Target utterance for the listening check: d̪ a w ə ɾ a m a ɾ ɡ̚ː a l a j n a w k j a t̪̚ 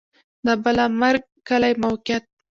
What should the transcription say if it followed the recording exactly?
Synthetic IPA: d̪ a b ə l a m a ɾ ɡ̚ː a l a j m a w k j a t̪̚